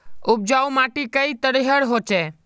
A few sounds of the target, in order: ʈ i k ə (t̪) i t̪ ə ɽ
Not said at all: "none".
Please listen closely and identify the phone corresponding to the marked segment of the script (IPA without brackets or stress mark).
none